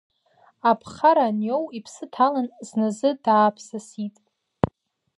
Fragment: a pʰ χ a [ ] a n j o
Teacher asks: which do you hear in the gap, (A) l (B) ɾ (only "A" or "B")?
B